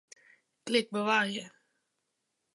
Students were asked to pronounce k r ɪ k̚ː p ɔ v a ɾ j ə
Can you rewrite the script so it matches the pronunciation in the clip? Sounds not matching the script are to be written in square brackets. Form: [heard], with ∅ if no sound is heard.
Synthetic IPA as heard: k [l] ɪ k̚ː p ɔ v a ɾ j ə